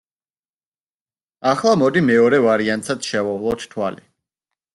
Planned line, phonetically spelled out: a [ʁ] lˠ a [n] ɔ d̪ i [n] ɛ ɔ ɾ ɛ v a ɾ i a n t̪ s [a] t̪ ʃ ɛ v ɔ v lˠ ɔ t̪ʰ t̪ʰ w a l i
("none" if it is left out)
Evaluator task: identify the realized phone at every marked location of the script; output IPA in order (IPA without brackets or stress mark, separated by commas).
χ, m, m, a